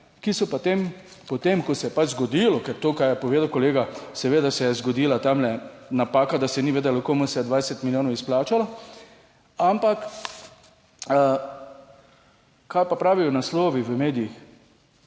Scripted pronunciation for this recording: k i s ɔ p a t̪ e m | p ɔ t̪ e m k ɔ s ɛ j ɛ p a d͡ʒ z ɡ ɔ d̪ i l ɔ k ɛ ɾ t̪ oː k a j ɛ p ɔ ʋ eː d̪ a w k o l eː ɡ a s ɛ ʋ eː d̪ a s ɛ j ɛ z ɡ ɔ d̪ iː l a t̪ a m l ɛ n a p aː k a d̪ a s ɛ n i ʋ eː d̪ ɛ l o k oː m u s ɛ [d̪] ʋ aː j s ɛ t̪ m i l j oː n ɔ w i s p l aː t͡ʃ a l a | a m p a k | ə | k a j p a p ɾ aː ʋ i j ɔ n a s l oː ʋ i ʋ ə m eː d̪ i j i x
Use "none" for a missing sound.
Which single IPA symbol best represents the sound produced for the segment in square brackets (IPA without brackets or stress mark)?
d̪